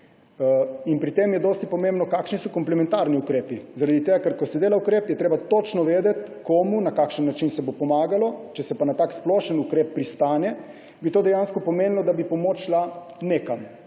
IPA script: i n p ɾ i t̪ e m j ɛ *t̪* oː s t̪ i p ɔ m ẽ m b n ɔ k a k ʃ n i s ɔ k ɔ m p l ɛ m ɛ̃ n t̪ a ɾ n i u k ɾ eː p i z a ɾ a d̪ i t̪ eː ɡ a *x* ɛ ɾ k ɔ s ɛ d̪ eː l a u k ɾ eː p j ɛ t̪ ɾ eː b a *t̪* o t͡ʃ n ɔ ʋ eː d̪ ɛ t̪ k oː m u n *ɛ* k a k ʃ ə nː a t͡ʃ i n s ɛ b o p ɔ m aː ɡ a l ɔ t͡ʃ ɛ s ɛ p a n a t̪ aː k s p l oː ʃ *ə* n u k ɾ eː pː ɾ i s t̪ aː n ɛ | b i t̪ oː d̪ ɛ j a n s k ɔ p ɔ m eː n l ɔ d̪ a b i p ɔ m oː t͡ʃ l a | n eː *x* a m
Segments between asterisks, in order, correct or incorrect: incorrect, incorrect, correct, incorrect, correct, incorrect

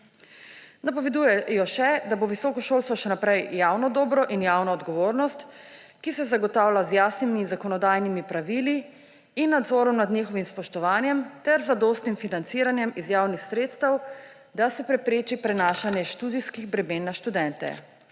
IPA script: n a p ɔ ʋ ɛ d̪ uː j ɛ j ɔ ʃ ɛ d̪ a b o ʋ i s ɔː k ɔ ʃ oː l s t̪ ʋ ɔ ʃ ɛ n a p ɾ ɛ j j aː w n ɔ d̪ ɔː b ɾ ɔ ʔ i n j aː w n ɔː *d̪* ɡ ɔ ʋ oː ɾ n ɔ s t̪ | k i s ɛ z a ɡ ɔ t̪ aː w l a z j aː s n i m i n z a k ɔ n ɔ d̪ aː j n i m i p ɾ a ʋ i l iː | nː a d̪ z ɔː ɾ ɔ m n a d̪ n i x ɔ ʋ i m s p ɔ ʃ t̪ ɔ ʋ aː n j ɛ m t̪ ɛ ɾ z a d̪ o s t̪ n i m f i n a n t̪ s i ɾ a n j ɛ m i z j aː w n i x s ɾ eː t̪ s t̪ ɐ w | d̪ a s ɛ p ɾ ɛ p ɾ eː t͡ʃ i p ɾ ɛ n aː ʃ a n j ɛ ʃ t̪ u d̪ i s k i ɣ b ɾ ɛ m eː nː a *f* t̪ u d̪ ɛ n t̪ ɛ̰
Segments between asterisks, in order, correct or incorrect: correct, incorrect

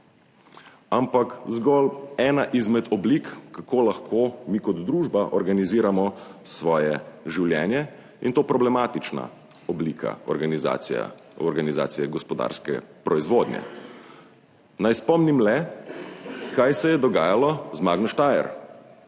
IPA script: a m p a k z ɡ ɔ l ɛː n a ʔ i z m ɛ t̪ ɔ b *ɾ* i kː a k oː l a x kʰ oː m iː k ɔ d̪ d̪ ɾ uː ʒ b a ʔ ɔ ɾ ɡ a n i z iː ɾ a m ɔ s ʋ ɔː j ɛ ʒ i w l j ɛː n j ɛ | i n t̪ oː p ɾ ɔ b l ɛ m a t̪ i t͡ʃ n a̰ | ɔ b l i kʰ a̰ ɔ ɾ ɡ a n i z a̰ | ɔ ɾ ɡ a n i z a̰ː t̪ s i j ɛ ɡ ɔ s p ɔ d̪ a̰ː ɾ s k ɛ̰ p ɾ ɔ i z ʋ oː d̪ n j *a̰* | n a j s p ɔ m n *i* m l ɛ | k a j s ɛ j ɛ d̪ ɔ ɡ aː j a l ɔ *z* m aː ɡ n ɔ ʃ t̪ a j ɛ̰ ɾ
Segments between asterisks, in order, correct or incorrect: incorrect, incorrect, correct, correct

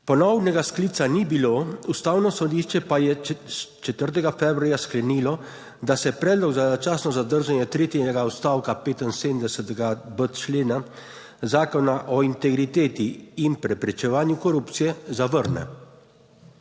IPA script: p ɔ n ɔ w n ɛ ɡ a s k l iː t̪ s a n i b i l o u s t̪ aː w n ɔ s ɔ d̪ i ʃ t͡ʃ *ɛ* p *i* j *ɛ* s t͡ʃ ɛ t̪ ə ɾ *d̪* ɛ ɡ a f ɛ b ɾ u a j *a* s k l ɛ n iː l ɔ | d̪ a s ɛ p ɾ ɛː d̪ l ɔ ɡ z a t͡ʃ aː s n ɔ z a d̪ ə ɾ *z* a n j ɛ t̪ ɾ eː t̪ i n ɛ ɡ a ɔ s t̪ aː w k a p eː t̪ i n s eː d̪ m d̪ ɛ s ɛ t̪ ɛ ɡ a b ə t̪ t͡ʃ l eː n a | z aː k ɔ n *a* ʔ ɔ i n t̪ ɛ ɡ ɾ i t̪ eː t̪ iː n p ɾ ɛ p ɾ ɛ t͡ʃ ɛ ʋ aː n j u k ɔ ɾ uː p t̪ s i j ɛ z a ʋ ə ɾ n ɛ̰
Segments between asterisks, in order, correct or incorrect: correct, incorrect, correct, incorrect, correct, incorrect, correct

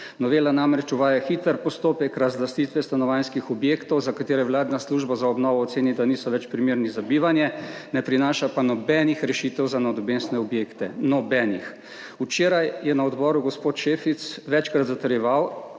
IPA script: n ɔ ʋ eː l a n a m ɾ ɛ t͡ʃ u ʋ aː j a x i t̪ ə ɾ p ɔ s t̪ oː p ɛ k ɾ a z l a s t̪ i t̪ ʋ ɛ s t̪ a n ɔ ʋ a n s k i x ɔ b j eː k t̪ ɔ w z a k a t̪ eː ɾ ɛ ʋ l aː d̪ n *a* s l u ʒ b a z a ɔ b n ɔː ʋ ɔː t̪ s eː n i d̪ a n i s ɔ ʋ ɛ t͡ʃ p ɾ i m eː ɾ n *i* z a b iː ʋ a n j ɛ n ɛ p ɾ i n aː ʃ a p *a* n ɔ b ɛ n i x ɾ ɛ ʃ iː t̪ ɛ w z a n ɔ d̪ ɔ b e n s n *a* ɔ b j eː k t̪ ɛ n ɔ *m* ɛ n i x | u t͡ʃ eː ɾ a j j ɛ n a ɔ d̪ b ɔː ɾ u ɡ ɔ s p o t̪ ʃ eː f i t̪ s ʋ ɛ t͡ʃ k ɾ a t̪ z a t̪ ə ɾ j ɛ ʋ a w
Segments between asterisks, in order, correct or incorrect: correct, correct, correct, incorrect, incorrect

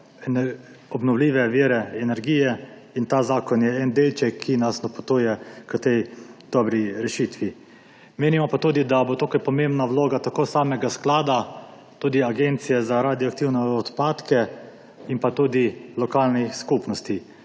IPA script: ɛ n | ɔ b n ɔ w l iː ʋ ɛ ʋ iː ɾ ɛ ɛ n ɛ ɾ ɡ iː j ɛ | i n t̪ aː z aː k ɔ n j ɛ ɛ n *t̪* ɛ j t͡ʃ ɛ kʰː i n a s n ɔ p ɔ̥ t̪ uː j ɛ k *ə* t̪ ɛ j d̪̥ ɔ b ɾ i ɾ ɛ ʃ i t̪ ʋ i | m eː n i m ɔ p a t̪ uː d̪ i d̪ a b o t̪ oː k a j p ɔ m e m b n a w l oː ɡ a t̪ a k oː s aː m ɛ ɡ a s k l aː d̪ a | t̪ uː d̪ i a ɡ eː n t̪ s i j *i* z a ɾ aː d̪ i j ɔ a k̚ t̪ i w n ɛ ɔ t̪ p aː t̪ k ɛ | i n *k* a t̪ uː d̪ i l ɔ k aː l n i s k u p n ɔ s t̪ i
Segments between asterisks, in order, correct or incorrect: incorrect, correct, incorrect, incorrect

